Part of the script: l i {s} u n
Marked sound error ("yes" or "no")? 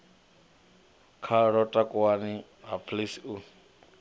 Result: no